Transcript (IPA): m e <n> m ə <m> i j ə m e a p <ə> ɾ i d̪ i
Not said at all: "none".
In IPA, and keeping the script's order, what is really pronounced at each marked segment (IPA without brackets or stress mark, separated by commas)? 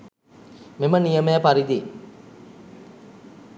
none, n, a